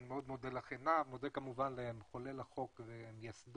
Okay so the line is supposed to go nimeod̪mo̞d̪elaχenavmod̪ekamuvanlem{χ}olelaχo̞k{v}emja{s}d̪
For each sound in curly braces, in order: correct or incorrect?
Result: correct, correct, correct

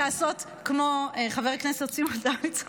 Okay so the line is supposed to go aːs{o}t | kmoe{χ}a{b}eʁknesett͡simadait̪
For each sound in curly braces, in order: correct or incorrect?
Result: correct, correct, incorrect: v

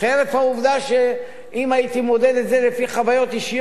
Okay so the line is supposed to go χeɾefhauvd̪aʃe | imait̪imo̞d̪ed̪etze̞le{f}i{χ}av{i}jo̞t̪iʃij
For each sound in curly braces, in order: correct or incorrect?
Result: correct, correct, incorrect: a

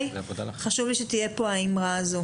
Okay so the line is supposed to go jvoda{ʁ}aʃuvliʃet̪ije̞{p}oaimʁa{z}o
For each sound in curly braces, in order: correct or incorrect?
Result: incorrect: χ, correct, correct

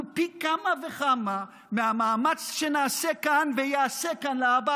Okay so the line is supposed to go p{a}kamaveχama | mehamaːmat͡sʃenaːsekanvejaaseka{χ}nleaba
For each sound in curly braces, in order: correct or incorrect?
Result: incorrect: i, incorrect: none

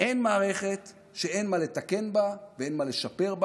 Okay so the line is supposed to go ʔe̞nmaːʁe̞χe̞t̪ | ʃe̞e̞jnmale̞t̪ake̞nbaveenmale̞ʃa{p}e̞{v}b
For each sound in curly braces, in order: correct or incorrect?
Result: correct, incorrect: ʁ

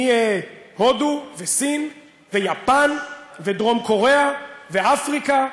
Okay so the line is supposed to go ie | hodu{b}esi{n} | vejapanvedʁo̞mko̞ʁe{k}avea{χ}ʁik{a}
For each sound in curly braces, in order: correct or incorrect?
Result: incorrect: v, correct, incorrect: none, incorrect: f, correct

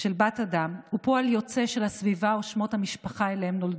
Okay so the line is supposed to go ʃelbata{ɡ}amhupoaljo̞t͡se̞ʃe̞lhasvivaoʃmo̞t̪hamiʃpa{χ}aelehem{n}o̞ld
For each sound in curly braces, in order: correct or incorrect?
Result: incorrect: d, correct, correct

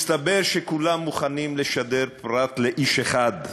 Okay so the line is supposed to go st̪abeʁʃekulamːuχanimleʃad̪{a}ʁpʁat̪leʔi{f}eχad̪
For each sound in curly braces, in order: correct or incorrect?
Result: incorrect: e, incorrect: ʃ

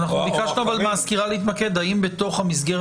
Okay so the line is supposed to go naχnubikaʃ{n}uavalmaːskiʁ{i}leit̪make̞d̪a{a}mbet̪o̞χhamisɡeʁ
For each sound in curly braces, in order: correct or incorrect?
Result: correct, incorrect: a, incorrect: i

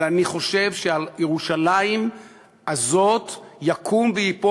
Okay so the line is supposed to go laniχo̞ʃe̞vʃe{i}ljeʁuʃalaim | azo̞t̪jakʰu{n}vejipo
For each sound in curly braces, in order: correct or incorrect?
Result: incorrect: a, incorrect: m

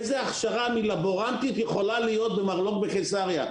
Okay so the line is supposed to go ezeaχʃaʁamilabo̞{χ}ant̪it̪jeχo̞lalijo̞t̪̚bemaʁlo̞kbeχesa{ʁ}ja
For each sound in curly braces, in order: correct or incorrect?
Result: incorrect: ʁ, correct

